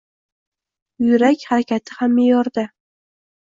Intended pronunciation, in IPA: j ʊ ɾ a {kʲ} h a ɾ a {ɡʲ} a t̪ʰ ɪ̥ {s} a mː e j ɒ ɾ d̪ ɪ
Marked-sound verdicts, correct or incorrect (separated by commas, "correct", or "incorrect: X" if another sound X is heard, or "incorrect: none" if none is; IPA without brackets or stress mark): correct, incorrect: kʲ, incorrect: h